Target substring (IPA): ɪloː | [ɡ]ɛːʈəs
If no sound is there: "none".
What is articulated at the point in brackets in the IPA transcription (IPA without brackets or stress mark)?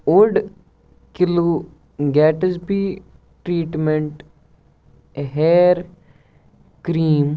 ɡ